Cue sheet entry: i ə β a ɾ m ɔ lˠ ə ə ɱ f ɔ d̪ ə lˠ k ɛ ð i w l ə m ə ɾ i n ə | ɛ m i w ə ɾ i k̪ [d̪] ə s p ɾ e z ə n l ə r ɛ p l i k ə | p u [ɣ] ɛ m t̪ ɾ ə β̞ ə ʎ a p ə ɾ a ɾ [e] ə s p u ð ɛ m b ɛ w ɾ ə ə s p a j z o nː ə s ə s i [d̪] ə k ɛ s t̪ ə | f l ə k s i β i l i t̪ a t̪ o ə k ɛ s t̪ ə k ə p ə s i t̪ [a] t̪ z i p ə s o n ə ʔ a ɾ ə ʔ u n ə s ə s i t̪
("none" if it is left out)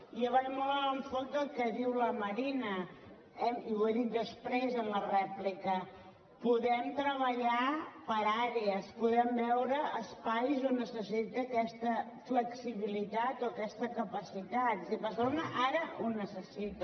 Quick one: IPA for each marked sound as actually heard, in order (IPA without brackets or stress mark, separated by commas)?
d̪, ð, e, t̪, a